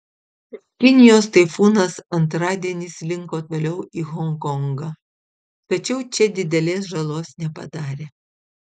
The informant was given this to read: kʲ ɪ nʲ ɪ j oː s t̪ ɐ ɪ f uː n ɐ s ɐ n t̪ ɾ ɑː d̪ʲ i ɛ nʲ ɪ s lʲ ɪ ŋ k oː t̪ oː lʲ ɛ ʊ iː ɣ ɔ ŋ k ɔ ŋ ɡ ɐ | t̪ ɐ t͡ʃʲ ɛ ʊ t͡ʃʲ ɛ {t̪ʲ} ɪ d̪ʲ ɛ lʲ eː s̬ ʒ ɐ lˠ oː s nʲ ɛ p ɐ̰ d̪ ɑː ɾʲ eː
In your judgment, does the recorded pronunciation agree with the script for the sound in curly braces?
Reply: no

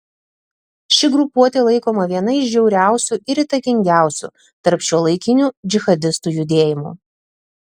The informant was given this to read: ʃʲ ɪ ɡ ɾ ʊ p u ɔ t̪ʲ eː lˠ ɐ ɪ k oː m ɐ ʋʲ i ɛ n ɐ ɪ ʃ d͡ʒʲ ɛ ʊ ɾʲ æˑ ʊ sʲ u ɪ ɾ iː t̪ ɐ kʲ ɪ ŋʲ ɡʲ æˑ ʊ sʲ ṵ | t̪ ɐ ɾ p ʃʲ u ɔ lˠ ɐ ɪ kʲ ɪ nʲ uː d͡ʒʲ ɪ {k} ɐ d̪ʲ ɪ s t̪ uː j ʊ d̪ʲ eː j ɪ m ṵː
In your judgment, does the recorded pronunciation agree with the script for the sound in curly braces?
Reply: no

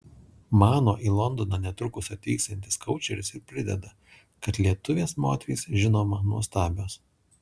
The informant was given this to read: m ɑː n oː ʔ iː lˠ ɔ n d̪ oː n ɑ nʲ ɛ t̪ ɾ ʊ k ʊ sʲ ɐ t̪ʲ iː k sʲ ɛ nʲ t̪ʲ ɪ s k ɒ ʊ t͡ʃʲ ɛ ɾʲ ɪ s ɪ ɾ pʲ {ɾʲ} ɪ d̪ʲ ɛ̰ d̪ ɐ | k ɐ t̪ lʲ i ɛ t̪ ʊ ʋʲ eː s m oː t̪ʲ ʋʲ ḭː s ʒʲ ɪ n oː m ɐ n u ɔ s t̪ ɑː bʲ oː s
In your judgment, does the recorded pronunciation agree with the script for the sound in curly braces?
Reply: yes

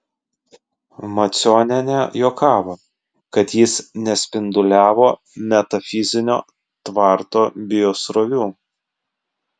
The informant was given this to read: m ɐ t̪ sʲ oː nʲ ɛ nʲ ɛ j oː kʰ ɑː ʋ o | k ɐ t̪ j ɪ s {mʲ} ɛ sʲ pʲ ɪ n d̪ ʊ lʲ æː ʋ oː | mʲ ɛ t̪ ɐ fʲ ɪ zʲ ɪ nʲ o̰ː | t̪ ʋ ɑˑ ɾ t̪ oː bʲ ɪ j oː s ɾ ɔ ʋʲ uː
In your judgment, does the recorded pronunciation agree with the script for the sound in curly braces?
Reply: no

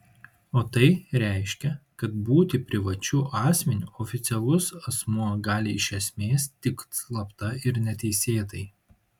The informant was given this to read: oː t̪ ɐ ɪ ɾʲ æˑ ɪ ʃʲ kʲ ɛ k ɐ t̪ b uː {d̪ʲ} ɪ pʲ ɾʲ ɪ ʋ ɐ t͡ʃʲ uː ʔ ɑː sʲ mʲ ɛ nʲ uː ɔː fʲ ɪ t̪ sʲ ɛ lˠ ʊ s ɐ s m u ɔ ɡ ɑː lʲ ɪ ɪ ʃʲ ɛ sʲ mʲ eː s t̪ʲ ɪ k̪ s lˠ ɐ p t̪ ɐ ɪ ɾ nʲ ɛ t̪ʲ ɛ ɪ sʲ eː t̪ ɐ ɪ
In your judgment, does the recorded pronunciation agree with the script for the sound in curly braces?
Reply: no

